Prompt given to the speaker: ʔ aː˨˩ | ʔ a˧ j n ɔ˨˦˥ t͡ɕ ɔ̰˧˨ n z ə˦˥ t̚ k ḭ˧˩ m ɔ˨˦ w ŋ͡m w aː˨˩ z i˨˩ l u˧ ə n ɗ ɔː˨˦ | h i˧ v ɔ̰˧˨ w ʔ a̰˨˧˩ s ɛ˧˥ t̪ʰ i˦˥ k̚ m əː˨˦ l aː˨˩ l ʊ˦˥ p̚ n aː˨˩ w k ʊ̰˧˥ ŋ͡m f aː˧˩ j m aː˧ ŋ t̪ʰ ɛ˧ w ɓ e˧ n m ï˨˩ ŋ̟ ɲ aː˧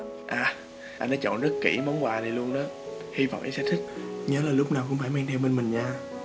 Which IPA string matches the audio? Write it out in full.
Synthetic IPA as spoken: ʔ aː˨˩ | ʔ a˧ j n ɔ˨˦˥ t͡ɕ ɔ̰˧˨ n z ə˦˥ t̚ k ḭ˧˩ m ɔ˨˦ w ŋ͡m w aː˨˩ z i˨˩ l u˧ ə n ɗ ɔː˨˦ | h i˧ v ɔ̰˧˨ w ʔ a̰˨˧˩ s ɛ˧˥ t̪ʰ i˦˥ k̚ ɲ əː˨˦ l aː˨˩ l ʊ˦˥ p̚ n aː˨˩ w k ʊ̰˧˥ ŋ͡m f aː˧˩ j m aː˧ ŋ t̪ʰ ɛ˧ w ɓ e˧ n m ï˨˩ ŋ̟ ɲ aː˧